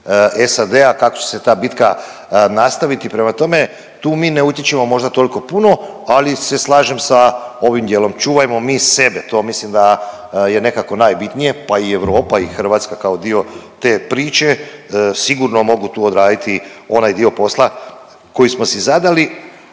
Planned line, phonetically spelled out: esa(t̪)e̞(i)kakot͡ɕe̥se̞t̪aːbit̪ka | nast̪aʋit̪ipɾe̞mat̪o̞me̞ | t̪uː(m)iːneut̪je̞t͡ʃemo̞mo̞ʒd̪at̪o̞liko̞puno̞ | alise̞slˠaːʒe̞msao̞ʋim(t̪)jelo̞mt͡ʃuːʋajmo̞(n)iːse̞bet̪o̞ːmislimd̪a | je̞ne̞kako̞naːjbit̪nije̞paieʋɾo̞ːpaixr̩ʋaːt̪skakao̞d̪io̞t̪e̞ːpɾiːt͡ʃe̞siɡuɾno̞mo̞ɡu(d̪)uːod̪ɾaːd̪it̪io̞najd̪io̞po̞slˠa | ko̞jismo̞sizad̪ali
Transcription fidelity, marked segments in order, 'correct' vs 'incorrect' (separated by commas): incorrect, incorrect, correct, incorrect, incorrect, incorrect